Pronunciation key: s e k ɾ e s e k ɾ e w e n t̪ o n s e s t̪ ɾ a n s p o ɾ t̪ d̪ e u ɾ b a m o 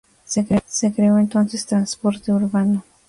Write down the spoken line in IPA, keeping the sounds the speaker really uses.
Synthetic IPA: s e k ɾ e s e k ɾ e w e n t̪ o n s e s t̪ ɾ a n s p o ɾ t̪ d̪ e u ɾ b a n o